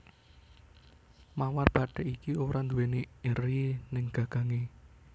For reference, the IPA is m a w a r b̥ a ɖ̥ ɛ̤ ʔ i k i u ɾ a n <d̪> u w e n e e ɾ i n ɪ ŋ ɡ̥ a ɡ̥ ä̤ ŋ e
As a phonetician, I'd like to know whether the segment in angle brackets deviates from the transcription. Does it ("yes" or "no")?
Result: no